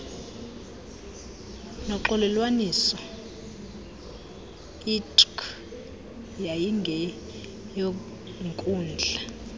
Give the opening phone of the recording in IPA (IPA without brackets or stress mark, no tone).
n